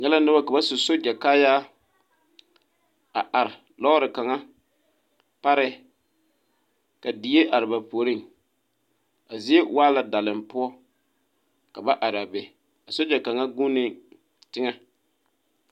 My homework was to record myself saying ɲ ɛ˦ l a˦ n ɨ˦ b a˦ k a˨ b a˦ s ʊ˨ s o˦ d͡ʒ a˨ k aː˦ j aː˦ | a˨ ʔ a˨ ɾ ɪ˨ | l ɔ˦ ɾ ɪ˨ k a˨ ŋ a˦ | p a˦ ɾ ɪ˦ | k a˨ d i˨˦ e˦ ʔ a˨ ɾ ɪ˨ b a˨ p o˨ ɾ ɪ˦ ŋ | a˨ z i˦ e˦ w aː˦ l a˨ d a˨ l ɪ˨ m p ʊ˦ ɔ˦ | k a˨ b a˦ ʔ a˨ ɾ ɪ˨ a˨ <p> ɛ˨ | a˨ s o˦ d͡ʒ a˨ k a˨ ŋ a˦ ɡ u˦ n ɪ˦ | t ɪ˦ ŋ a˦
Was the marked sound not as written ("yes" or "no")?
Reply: yes